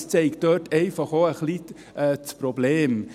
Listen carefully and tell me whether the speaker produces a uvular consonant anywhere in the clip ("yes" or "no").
yes